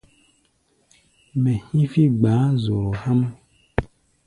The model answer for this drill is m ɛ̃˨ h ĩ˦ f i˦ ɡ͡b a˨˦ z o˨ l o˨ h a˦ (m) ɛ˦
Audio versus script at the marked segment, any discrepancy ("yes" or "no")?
no